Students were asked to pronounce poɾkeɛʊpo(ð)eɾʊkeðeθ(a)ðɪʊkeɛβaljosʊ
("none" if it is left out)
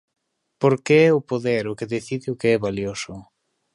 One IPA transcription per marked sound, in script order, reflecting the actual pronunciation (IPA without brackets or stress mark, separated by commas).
ð, i